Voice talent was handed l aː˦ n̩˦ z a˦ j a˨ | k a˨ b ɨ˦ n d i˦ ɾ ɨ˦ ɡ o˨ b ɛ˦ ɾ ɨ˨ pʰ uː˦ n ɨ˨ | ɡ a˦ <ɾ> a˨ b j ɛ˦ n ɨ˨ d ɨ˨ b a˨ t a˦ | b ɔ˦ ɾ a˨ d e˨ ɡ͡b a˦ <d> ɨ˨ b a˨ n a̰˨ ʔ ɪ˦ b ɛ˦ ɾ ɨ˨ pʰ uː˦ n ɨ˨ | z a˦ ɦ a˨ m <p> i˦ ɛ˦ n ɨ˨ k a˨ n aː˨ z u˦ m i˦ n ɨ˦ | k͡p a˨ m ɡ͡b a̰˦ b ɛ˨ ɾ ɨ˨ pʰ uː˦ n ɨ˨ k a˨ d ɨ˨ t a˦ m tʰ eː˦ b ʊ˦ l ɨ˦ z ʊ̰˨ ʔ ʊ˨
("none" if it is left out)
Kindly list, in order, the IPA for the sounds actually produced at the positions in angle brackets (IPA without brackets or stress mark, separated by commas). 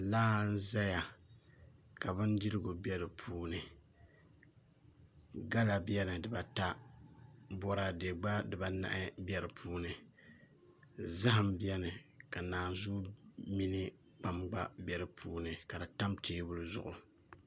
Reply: l, d, b